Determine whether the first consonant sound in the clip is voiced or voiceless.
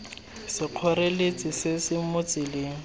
voiceless